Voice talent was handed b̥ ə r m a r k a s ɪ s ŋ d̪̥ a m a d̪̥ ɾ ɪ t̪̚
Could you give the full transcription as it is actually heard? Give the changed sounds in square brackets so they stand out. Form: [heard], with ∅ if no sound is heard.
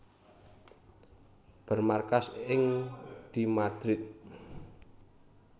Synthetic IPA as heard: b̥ ə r m a r k a s ɪ [∅] ŋ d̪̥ [i] m a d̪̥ ɾ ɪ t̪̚

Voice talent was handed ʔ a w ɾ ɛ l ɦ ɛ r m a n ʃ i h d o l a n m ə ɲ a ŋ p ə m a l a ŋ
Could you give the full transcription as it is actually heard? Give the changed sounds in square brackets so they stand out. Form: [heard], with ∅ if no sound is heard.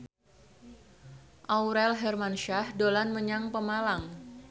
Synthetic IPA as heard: ʔ a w ɾ ɛ l ɦ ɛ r m a n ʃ [a] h d o l a n m ə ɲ a ŋ p ə m a l a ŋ

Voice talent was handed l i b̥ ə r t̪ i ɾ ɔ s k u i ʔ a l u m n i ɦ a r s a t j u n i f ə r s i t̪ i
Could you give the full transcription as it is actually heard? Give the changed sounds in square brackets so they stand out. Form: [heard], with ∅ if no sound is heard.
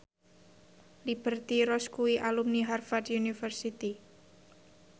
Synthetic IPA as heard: l i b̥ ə r t̪ i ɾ ɔ s k u i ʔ a l u m n i ɦ a r [f] a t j u n i f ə r s i t̪ i

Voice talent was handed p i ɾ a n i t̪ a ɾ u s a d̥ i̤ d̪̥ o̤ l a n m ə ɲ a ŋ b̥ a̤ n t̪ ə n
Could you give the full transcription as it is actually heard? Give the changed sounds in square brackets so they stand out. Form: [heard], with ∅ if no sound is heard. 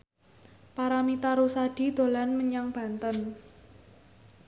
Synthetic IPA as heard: p [a] ɾ a [m] i t̪ a ɾ u s a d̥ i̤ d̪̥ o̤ l a n m ə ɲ a ŋ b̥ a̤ n t̪ ə n

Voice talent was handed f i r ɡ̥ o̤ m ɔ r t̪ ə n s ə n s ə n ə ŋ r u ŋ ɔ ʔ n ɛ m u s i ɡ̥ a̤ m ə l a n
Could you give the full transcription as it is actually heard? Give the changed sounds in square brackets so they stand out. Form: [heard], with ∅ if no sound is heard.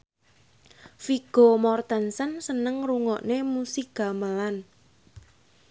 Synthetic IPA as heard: f i [∅] ɡ̥ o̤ m ɔ r t̪ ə n s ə n s ə n ə ŋ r u ŋ ɔ ʔ n [e] m u s i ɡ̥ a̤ m ə l a n

